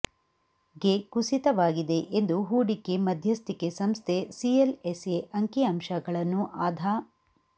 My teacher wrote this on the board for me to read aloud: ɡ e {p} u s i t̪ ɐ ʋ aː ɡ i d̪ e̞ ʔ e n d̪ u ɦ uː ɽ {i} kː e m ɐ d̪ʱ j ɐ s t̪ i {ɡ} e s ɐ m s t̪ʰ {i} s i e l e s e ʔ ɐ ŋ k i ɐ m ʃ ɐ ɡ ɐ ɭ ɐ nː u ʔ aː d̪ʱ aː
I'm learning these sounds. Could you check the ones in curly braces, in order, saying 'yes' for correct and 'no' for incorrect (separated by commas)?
no, yes, no, no